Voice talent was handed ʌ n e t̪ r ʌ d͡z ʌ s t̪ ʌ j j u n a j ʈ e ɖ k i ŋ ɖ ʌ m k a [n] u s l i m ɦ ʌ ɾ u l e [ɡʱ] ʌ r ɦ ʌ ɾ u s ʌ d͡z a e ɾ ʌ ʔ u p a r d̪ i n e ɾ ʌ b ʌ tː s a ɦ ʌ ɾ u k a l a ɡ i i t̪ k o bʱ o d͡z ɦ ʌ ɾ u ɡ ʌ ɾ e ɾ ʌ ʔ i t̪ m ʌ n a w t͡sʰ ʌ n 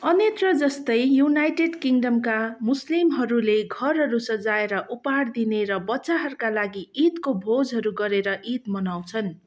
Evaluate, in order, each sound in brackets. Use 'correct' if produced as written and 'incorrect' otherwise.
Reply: incorrect: m, correct

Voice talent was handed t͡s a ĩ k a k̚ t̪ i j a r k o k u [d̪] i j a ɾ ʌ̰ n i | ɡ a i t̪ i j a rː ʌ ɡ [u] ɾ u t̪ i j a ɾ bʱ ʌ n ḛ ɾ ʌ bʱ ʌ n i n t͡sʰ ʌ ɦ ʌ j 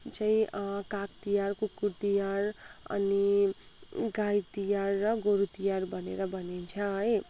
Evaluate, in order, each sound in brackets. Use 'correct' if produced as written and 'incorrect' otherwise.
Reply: incorrect: t̪, incorrect: o

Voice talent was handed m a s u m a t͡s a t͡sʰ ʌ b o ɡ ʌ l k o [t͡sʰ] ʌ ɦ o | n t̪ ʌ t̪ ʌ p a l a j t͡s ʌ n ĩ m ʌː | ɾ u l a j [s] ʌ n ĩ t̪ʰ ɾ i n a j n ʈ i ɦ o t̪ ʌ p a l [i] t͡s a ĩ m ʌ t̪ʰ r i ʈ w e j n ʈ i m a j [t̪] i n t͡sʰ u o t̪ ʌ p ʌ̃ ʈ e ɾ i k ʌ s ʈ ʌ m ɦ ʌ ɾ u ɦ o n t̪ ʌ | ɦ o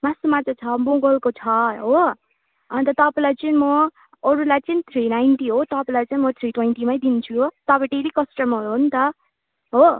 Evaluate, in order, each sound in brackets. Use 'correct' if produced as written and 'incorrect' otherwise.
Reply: correct, incorrect: t͡s, incorrect: a, incorrect: d̪

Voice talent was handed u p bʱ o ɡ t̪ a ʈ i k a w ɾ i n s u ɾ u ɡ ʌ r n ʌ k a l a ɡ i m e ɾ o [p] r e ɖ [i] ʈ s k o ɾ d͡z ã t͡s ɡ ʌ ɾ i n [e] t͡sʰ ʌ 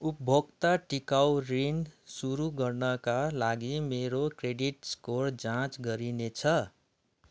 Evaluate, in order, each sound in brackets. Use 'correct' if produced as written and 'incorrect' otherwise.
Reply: incorrect: k, correct, correct

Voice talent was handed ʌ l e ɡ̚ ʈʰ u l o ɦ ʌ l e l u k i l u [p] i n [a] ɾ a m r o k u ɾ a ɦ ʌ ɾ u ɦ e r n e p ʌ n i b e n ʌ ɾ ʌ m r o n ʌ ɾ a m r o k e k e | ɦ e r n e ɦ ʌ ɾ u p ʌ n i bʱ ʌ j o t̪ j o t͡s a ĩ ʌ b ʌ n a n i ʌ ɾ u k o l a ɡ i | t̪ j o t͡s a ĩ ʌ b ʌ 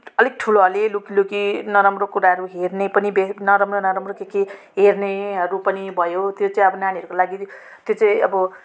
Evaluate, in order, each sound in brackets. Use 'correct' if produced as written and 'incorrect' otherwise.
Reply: incorrect: k, incorrect: ʌ

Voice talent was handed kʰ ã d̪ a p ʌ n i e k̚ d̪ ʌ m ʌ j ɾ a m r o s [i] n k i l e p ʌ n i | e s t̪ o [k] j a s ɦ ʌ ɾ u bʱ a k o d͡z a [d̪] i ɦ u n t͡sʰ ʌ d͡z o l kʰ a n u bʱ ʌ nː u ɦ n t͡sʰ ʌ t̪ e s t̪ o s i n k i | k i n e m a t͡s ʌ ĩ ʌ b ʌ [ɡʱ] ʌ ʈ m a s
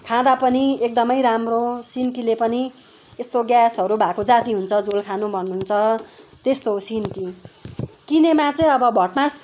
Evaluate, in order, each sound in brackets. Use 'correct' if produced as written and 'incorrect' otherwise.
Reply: correct, incorrect: ɡ, incorrect: t̪, incorrect: bʱ

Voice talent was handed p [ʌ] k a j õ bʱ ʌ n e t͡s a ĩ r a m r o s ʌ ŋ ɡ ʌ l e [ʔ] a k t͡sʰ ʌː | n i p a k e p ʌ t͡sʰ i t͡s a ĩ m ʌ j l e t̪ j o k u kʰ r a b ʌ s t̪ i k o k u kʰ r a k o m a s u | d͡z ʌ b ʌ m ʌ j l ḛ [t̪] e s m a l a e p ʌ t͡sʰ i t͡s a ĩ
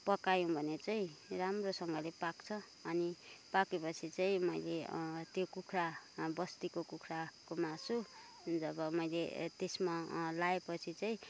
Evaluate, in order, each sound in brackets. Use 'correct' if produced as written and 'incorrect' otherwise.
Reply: correct, incorrect: p, correct

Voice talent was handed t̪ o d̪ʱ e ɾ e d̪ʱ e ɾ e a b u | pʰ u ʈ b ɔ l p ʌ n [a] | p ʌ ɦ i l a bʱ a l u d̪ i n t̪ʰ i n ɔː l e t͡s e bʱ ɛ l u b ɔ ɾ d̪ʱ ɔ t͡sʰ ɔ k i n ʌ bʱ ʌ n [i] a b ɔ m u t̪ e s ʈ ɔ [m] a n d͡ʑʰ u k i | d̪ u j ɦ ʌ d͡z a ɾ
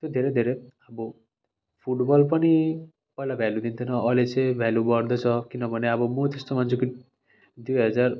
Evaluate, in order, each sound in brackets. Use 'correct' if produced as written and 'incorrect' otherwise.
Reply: incorrect: i, incorrect: e, correct

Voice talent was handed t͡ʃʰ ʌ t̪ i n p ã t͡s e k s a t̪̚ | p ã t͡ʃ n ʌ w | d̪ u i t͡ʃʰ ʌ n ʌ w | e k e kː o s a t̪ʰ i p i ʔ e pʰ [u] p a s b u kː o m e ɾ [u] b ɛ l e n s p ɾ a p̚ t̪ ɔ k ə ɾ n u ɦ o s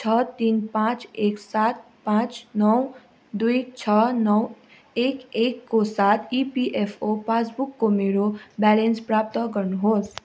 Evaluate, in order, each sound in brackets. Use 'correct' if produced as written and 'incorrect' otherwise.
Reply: incorrect: o, incorrect: o

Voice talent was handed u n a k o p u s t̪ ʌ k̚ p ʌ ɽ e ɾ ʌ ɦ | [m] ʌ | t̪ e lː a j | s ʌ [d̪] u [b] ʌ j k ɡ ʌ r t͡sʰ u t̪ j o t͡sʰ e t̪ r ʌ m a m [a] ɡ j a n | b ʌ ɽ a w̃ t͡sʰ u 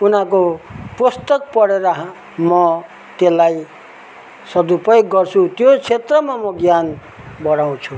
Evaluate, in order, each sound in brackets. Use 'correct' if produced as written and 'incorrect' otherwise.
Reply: correct, correct, incorrect: p, incorrect: ʌ

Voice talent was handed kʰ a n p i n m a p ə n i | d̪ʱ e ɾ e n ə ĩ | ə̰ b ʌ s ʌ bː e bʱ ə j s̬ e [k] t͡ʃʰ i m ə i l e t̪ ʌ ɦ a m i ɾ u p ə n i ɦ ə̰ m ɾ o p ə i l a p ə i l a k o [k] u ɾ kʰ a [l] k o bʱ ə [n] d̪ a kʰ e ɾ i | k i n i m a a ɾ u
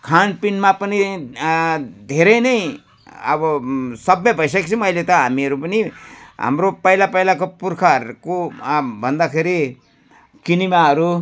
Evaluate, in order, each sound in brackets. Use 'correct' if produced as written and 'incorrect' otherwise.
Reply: correct, incorrect: p, incorrect: ɾ, correct

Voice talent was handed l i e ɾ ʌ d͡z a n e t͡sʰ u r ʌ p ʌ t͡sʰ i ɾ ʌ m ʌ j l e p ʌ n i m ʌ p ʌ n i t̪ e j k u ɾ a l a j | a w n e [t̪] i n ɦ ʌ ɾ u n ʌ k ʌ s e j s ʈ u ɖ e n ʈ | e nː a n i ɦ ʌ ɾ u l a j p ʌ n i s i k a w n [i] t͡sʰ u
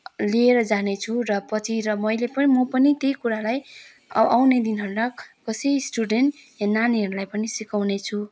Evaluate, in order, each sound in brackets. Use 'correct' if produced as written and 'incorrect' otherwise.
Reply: incorrect: d̪, incorrect: e

